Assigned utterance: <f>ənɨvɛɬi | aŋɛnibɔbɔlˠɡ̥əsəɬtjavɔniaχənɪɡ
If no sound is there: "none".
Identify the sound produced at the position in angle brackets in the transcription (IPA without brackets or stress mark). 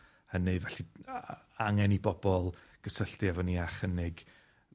h